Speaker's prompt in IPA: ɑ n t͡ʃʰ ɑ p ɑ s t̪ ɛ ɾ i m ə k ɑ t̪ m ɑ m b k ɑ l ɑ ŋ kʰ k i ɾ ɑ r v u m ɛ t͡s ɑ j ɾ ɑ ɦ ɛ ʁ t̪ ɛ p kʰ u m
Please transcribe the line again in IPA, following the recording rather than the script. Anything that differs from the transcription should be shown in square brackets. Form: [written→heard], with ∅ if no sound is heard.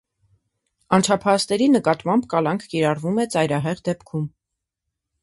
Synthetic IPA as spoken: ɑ n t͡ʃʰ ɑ [p→pʰ] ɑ s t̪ ɛ ɾ i [m→n] ə k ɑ t̪ m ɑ m b k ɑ l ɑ ŋ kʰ k i ɾ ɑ r v u m ɛ t͡s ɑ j ɾ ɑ ɦ ɛ ʁ [t̪→d̪] ɛ p kʰ u m